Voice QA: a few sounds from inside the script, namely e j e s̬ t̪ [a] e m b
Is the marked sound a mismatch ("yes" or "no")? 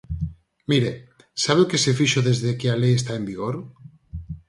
no